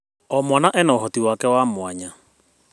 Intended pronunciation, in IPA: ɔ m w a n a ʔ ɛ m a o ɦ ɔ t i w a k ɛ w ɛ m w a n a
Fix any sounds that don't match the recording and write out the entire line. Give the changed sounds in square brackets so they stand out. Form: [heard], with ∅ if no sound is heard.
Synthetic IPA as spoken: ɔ m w a n a ʔ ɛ [n] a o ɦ ɔ t i w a k ɛ w [a] m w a [ɲ] a